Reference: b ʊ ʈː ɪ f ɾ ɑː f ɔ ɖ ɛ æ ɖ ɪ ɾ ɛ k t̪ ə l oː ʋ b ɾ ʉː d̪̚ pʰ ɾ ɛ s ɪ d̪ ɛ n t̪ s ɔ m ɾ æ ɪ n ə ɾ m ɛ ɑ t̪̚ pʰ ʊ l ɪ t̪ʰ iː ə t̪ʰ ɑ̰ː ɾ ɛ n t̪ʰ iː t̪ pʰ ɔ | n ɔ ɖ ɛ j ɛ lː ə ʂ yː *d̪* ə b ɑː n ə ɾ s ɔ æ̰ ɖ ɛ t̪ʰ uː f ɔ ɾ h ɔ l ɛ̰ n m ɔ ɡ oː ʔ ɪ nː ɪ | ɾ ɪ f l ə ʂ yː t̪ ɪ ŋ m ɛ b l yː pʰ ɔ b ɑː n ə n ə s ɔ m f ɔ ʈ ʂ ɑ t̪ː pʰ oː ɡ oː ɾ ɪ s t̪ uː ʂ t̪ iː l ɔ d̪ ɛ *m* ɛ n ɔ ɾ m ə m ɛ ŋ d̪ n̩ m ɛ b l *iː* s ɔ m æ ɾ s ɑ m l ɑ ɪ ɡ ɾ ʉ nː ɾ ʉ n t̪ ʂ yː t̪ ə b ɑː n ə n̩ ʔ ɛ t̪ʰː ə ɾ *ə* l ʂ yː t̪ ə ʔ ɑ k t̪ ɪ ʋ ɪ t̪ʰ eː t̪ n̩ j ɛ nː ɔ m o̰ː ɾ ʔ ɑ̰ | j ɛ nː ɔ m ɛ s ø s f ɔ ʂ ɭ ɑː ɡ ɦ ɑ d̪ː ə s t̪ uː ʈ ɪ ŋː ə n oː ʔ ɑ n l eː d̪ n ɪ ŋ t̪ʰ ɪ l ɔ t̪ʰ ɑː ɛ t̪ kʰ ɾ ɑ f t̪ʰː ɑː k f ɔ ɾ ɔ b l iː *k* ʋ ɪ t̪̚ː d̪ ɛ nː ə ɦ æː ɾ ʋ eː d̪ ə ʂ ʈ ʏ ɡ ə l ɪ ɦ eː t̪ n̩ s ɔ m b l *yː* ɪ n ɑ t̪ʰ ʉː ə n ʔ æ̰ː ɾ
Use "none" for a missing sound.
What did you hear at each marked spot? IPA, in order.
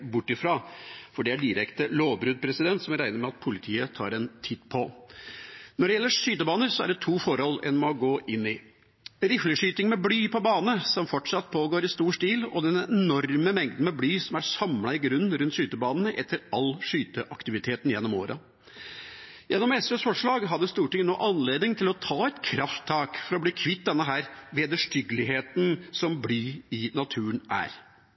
t̪, n, yː, ɑ, kʰ, yː

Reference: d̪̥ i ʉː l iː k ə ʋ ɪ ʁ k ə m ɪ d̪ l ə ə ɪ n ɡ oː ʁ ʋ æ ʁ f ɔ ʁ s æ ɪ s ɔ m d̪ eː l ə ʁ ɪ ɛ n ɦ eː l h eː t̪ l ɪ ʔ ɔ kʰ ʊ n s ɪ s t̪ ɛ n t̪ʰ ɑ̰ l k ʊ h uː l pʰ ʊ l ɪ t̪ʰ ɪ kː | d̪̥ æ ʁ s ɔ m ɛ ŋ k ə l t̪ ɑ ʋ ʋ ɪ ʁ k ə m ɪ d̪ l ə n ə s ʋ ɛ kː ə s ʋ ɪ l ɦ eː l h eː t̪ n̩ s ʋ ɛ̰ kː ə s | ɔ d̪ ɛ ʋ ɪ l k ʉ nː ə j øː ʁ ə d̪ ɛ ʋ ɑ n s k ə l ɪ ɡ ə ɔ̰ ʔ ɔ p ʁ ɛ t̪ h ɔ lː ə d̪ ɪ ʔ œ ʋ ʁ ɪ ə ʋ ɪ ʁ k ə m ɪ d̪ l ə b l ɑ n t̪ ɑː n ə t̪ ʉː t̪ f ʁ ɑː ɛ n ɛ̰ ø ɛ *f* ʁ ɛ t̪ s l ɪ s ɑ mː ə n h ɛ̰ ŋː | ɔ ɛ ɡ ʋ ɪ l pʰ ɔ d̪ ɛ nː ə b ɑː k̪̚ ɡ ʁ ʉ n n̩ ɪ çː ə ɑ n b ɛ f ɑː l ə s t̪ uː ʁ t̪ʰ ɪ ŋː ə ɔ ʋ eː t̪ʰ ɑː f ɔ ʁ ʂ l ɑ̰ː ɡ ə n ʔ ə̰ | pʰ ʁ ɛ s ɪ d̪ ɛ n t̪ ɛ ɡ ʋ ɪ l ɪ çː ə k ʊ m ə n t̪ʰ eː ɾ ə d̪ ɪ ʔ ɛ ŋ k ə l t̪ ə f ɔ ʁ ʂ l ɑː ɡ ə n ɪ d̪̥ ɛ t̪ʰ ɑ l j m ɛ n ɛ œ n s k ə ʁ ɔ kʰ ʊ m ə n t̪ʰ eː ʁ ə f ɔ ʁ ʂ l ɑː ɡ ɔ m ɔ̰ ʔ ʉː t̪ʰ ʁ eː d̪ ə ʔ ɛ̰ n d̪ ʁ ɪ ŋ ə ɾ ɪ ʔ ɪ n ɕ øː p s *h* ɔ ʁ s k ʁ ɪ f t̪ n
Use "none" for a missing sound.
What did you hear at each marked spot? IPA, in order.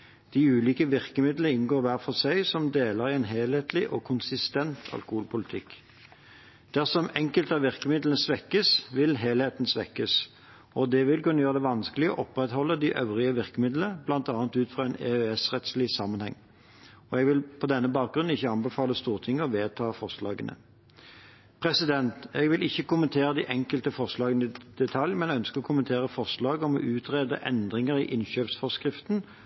s, f

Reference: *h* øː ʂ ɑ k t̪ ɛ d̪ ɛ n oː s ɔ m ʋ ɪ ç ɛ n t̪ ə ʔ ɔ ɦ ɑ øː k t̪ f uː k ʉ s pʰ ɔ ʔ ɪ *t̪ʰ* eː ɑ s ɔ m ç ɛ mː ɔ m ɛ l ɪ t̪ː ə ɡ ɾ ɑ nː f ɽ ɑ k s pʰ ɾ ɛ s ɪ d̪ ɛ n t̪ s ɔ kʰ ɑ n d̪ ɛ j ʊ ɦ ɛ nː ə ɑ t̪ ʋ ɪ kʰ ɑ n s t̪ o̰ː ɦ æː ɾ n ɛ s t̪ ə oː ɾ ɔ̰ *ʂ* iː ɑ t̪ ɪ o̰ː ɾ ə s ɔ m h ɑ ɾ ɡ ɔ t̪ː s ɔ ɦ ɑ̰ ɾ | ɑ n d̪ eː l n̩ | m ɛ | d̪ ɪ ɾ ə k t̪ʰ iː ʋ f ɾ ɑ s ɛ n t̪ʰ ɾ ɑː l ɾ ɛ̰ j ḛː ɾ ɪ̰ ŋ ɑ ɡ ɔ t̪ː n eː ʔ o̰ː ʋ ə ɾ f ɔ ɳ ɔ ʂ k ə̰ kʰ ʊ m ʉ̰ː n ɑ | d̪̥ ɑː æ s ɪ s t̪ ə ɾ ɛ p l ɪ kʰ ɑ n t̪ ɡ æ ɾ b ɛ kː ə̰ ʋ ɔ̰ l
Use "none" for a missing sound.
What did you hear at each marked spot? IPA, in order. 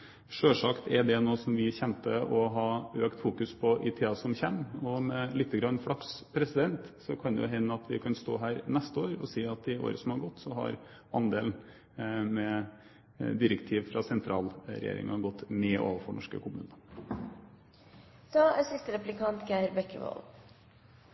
ʂ, t̪ʰ, s

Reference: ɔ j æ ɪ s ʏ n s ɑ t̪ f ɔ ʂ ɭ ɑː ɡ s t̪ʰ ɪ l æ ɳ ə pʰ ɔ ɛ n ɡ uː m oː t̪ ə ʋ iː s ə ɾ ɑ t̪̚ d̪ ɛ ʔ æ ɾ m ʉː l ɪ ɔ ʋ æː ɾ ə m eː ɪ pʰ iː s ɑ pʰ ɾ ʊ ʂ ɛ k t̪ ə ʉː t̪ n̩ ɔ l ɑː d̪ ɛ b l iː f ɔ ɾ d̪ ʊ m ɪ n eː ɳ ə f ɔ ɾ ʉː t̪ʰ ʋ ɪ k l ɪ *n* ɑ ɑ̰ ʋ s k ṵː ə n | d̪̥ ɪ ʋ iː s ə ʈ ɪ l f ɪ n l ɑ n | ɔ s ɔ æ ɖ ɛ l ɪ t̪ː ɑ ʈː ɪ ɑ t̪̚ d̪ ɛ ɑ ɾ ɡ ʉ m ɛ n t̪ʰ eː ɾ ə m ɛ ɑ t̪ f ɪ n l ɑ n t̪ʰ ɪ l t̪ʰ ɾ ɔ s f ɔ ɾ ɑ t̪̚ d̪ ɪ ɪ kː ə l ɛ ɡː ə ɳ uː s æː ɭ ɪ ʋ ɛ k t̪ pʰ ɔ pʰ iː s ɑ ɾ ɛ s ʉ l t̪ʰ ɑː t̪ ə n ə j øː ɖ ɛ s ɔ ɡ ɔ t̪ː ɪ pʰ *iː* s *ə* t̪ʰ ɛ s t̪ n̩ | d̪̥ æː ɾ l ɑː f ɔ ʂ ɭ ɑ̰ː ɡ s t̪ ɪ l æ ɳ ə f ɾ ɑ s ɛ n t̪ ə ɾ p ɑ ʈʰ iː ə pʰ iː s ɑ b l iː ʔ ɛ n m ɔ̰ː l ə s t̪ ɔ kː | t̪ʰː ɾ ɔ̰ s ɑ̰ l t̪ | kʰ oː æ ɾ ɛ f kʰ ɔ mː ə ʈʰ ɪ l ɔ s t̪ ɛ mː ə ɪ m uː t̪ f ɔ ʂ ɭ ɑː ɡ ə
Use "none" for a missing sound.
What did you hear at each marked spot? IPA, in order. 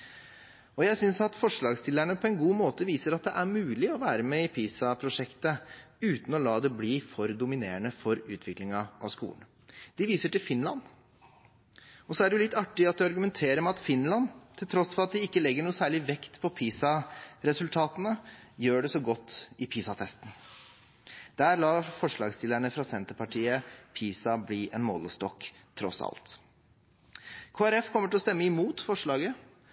ŋ, iː, ɑ

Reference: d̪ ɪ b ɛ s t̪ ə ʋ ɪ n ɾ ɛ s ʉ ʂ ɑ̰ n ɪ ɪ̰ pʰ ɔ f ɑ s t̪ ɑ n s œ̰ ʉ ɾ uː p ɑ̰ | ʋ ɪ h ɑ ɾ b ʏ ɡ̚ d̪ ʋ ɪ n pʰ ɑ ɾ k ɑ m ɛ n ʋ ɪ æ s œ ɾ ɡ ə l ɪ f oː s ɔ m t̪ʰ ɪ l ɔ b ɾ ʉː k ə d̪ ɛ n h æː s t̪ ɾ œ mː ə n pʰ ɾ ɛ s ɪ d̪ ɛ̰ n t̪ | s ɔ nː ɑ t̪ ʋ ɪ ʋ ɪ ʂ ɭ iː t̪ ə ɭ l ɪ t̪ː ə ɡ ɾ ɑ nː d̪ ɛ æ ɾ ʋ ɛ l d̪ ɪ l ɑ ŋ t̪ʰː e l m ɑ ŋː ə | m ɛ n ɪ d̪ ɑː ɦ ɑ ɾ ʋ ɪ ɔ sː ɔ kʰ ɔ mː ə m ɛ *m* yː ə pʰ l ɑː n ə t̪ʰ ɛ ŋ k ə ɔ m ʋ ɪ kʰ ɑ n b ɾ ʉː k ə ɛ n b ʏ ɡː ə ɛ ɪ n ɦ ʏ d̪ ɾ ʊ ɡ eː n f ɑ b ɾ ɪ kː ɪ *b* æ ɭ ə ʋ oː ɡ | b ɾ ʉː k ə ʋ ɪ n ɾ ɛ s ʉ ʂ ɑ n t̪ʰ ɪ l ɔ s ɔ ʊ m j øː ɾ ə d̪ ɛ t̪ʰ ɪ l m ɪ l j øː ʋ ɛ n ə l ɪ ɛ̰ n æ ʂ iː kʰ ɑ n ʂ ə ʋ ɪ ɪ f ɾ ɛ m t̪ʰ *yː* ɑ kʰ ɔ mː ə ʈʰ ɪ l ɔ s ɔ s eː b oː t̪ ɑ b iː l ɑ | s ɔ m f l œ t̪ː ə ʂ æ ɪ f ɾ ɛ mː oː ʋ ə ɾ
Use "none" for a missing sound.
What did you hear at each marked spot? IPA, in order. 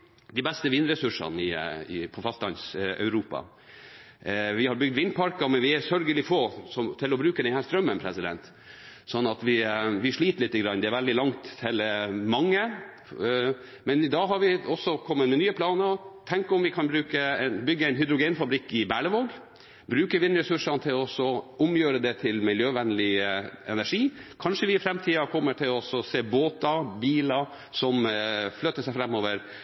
n, b, iː

